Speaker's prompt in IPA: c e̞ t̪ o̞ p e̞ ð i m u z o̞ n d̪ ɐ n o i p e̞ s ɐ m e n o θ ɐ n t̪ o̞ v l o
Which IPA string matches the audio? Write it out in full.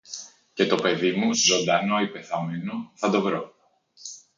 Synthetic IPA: c e̞ t̪ o̞ p e̞ ð i m u z o̞ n d̪ ɐ n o i p e̞ θ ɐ m e n o θ ɐ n d̪ o̞ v ɾ o

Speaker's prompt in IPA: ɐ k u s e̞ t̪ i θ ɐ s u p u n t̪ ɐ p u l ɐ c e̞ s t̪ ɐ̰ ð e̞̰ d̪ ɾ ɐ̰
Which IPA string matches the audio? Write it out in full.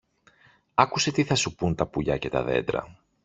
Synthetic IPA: ɐ k u s e̞ t̪ i θ ɐ s u p u n t̪ ɐ p u ʎ ɐ c e̞ t̪ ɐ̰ ð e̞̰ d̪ ɾ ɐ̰

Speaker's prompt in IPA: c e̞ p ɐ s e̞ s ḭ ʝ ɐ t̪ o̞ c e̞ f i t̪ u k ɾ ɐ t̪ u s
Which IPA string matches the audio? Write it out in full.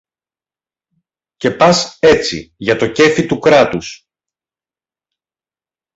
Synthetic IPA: c e̞ p ɐ s e̞ t͡s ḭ ʝ ɐ t̪ o̞ c e̞ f i t̪ u k ɾ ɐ t̪ u s

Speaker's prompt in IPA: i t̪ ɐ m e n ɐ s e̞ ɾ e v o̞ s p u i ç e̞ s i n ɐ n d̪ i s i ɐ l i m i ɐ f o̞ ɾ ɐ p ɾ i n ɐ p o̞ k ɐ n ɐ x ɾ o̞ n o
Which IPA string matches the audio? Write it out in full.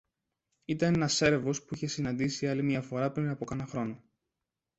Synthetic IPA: i t̪ ɐ n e n ɐ s e̞ ɾ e v o̞ s p u i ç e̞ s i n ɐ n d̪ i s i ɐ l i m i ɐ f o̞ ɾ ɐ p ɾ i n ɐ p o̞ k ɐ n ɐ x ɾ o̞ n o

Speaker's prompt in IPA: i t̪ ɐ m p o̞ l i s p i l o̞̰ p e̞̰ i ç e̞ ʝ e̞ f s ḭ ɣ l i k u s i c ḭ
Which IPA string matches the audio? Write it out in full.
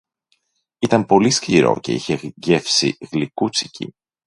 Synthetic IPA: i t̪ ɐ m p o̞ l i s c i ɾ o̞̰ c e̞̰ i ç e̞ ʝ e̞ f s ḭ ɣ l i k u t͡s i c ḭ

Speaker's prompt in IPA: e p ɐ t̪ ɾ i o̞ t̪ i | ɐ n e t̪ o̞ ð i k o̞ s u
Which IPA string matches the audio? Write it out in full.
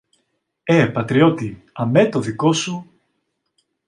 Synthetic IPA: e p ɐ t̪ ɾ i o̞ t̪ i | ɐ m e t̪ o̞ ð i k o̞ s u

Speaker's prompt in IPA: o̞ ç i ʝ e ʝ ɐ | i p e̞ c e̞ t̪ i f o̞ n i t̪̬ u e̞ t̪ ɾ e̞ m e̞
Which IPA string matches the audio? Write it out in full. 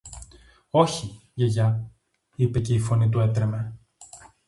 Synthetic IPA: o̞ ç i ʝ e ʝ ɐ | i p e̞ c e̞ i f o̞ n i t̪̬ u e̞ t̪ ɾ e̞ m e̞

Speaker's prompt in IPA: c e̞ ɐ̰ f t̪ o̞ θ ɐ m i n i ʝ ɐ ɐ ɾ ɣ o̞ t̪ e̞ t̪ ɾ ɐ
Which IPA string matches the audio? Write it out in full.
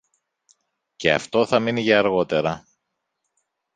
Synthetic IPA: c e̞ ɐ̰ f t̪ o̞ θ ɐ m i n i ʝ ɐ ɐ ɾ ɣ o̞ t̪ e̞ ɾ ɐ

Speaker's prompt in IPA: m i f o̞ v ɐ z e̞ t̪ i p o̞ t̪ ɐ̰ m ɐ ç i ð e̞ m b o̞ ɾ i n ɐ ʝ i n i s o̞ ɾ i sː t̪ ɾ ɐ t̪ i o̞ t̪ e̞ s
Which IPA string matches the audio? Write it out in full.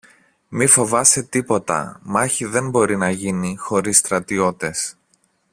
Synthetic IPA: m i f o̞ v ɐ s e̞ t̪ i p o̞ t̪ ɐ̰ m ɐ ç i ð e̞ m b o̞ ɾ i n ɐ ʝ i n i x o̞ ɾ i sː t̪ ɾ ɐ t̪ i o̞ t̪ e̞ s

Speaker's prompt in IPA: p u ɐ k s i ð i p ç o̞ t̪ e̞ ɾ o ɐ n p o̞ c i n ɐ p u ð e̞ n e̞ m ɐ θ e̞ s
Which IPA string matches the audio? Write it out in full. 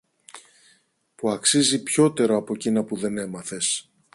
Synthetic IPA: p u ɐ k s i z i p ç o̞ t̪ e̞ ɾ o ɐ p o̞ c i n ɐ p u ð e̞ n e̞ m ɐ θ e̞ s

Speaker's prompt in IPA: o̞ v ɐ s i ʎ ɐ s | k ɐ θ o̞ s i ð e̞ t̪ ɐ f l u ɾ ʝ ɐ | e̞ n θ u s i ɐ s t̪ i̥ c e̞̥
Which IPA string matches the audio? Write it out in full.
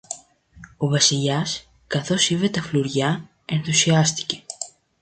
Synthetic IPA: o̞ v ɐ s i ʎ ɐ s | k ɐ θ o̞ s i v e̞ t̪ ɐ f l u ɾ ʝ ɐ | e̞ n θ u s i ɐ s t̪ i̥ c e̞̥

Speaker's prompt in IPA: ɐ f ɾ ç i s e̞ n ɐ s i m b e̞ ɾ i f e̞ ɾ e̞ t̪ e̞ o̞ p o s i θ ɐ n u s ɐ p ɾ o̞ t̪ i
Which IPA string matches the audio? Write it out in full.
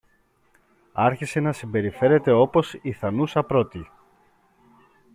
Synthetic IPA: ɐ ɾ ç i s e̞ n ɐ s i m b e̞ ɾ i f e̞ ɾ e̞ t̪ e̞ o̞ p o s i θ ɐ n u s ɐ p ɾ o̞ t̪ i

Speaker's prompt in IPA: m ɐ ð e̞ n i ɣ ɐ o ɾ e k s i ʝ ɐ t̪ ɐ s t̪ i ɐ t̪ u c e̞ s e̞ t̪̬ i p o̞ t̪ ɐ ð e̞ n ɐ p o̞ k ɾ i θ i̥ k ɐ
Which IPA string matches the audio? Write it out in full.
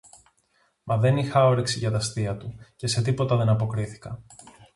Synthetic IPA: m ɐ ð e̞ n i x ɐ o ɾ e k s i ʝ ɐ t̪ ɐ s t̪ i ɐ t̪ u c e̞ s e̞ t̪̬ i p o̞ t̪ ɐ ð e̞ n ɐ p o̞ k ɾ i θ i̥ k ɐ

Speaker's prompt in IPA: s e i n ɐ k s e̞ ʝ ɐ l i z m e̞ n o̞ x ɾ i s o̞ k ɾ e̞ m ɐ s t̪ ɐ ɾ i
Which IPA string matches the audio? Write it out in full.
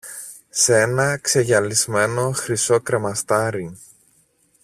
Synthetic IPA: s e e n ɐ k s e̞ ʝ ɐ l i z m e̞ n o̞ x ɾ i s o̞ k ɾ e̞ m ɐ s t̪ ɐ ɾ i

